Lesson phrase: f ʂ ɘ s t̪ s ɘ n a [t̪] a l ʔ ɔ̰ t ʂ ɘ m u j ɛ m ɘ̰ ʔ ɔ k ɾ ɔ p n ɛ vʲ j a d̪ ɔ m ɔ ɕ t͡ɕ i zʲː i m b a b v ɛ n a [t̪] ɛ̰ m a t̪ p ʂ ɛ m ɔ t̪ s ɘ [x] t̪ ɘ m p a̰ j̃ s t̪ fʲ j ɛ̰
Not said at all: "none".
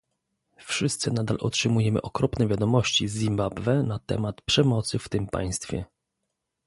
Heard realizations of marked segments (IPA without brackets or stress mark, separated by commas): d̪, t̪, f